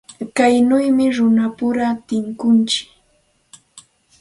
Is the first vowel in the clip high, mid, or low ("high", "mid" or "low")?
low